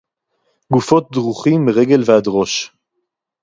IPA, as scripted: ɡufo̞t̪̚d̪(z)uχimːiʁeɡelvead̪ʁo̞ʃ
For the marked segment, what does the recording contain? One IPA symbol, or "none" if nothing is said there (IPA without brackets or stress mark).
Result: ʁ